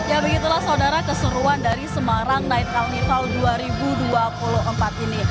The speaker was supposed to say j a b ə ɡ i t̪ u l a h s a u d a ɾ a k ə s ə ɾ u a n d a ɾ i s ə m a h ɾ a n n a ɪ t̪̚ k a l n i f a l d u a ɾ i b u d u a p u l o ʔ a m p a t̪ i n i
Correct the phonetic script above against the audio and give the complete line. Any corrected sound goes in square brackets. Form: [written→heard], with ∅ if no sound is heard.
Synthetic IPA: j a b ə ɡ i t̪ u l a h s a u d a ɾ a k ə s ə ɾ u a n d a ɾ i s ə m a [h→∅] ɾ a [n→ŋ] n a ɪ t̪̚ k a l n i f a l d u a ɾ i b u d u a p u l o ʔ [a→ə] m p a t̪ i n i